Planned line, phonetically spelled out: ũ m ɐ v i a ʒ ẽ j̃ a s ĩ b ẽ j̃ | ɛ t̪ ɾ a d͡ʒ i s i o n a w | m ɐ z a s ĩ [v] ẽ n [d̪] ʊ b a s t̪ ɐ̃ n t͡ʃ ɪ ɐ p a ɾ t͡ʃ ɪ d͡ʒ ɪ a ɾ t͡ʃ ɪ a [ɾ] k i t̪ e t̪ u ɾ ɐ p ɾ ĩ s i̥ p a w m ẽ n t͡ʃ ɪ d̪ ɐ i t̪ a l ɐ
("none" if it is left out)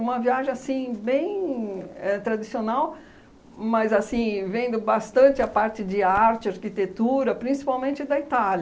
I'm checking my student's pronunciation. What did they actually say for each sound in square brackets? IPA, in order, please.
v, d̪, ɾ

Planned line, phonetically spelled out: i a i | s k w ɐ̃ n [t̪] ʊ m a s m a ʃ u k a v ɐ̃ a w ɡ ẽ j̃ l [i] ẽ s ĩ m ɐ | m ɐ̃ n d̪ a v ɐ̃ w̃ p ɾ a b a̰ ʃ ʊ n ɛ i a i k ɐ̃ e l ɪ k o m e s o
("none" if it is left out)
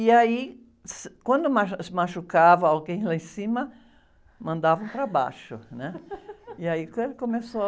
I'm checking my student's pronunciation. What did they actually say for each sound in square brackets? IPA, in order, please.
d̪, a

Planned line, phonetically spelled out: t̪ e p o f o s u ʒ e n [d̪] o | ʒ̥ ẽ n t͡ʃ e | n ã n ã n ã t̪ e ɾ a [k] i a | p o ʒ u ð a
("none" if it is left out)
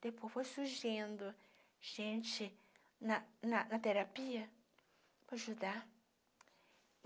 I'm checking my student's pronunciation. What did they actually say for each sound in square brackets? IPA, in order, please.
d̪, p

